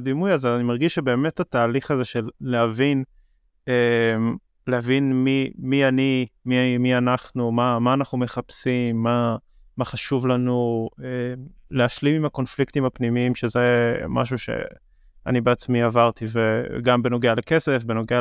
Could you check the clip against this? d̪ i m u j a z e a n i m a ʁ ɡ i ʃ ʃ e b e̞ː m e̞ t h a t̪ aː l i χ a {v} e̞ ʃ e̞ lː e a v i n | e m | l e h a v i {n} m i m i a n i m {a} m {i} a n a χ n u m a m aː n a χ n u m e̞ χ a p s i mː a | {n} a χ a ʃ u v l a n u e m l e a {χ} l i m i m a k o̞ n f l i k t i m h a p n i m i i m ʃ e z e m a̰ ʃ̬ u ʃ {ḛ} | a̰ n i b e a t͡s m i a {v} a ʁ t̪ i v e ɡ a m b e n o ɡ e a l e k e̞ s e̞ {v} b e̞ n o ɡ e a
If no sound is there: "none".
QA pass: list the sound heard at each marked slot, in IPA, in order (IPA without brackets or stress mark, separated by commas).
z, n, i, i, m, ʃ, ḛ, v, f